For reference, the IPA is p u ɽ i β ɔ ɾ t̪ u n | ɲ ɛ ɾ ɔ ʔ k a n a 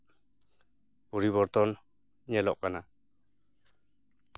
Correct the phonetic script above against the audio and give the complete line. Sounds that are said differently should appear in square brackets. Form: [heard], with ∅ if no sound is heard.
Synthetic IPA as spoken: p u [ɾ] i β ɔ ɾ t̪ [ɔ] n | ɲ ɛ [l] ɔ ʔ k a n a